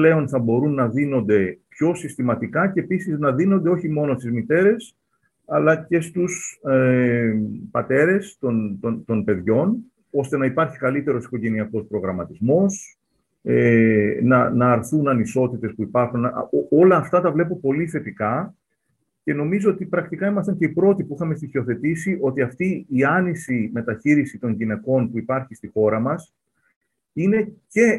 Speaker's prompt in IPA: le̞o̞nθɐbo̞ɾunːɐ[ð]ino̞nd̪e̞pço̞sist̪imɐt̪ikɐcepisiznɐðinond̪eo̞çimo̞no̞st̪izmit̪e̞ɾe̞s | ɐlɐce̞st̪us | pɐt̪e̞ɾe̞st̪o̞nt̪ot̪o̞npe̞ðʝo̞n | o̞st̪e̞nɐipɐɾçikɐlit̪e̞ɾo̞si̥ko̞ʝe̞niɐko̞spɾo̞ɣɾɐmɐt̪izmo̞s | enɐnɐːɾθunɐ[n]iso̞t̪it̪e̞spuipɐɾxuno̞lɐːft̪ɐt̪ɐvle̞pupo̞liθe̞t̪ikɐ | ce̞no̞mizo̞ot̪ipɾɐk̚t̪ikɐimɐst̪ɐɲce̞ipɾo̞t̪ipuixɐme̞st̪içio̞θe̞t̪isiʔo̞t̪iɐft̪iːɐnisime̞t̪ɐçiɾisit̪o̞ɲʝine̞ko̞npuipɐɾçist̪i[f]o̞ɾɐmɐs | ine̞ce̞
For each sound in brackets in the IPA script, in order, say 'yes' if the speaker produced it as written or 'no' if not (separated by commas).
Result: yes, yes, no